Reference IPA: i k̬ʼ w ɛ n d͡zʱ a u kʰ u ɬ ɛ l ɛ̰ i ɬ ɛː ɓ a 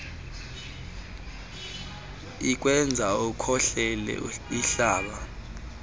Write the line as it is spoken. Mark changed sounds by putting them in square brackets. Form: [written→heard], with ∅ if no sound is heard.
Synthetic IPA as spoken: i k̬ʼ w ɛ n d͡zʱ a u kʰ [u→ɔ] ɬ ɛ l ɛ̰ i ɬ [ɛː→aː] ɓ a